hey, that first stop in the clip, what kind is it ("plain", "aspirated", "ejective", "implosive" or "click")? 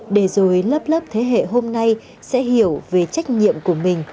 implosive